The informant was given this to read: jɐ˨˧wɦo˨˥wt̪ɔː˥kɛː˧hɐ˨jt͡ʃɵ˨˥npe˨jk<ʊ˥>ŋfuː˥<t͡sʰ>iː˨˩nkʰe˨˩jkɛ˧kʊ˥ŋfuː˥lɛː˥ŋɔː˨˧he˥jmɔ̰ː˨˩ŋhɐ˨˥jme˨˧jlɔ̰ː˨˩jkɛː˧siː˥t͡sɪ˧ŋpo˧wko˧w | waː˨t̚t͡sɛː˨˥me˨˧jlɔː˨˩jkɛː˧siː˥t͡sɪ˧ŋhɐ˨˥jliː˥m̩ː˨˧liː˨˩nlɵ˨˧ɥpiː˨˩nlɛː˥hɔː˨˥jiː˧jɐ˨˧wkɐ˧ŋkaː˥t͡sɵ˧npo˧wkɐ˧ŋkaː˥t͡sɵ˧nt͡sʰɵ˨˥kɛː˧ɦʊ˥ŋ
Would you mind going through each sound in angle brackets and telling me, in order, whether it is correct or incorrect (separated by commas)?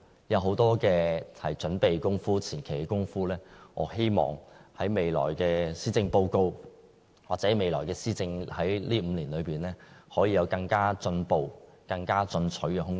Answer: correct, correct